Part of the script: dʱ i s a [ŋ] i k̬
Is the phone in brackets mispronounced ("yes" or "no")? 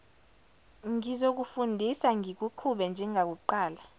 no